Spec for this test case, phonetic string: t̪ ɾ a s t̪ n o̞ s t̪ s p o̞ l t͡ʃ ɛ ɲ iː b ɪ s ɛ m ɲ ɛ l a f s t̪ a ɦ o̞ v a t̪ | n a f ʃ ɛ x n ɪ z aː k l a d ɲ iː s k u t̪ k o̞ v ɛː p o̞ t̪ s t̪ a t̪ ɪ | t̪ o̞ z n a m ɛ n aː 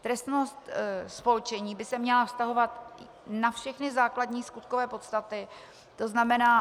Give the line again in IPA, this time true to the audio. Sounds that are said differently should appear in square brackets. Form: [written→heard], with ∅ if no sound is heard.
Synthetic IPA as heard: t̪ ɾ [a→ɛ] s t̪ n o̞ s t̪ s p o̞ l t͡ʃ ɛ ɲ iː b ɪ s ɛ m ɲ ɛ l a f s t̪ a ɦ o̞ v a t̪ | n a f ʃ ɛ x n ɪ z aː k l a d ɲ iː s k u t̪ k o̞ v ɛː p o̞ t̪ s t̪ a t̪ ɪ | t̪ o̞ z n a m ɛ n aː